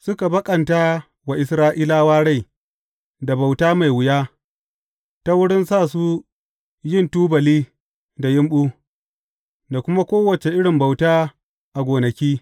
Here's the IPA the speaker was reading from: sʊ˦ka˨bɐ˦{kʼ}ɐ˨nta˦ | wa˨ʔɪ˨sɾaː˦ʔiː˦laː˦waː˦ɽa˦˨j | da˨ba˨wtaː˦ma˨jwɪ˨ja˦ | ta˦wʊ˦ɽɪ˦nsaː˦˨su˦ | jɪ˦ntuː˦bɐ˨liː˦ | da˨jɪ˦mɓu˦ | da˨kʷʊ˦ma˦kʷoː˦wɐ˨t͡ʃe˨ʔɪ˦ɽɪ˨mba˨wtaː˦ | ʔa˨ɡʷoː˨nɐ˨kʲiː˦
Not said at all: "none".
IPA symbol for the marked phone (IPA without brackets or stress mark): kʼ